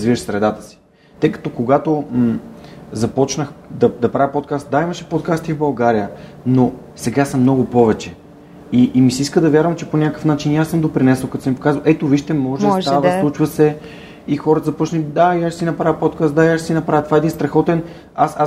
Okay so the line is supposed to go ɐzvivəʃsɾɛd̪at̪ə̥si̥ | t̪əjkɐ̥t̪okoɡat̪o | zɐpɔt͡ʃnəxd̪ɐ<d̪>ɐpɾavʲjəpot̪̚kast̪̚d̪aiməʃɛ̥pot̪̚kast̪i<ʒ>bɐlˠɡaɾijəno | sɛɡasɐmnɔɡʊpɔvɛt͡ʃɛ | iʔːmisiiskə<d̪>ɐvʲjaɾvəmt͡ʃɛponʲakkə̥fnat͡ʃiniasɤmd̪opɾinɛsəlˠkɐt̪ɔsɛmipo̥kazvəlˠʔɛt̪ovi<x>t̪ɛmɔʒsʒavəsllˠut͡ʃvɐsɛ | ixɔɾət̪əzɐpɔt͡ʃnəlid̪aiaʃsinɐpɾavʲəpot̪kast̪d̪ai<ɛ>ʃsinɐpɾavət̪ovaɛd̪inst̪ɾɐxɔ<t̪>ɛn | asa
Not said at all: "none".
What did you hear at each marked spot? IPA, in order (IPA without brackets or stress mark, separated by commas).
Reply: d̪, v, d̪, ʃ, a, t̪